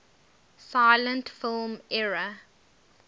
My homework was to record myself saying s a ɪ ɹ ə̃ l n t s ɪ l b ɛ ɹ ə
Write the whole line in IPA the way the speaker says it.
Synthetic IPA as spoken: s a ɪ l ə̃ n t f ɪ l m ɛ ɹ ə